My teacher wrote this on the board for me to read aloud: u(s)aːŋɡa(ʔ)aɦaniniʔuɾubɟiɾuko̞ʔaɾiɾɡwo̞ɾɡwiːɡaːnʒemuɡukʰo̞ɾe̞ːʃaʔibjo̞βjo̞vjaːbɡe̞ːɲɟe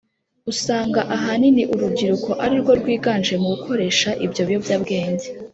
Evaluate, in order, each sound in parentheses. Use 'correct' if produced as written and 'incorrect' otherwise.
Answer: correct, correct

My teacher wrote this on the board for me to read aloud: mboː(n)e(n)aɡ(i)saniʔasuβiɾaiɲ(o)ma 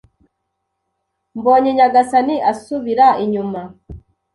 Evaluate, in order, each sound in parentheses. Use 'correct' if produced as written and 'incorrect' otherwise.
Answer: incorrect, incorrect, incorrect, incorrect

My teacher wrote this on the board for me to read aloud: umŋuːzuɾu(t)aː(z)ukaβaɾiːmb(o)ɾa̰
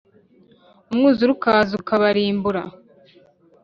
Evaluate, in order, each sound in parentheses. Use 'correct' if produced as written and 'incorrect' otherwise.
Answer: incorrect, correct, incorrect

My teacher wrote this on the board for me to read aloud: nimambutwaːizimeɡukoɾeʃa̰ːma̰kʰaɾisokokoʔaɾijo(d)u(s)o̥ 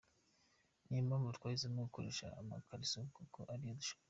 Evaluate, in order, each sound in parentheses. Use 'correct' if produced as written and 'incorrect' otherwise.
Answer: correct, incorrect

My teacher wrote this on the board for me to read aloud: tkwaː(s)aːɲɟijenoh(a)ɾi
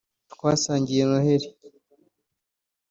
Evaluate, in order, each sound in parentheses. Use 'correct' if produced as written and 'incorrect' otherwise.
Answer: correct, incorrect

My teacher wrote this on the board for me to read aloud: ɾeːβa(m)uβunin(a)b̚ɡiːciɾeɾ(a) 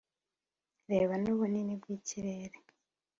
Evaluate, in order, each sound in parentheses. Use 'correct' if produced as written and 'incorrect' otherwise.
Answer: incorrect, incorrect, incorrect

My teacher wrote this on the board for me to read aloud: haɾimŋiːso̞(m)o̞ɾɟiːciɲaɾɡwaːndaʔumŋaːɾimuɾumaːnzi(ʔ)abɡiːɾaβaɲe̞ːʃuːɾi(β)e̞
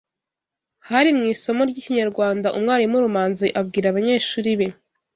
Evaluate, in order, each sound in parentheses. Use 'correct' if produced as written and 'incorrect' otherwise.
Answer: correct, correct, correct

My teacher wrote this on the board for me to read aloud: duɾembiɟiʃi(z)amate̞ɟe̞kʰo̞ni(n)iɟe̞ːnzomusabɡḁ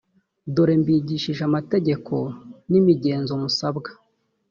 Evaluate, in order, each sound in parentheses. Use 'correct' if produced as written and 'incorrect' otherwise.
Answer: incorrect, incorrect

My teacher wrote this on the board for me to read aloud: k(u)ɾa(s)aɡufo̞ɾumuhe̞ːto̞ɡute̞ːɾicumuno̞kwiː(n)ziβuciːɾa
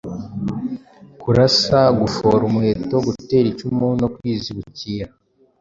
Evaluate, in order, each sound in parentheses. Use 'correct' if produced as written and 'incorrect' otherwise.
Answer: correct, correct, incorrect

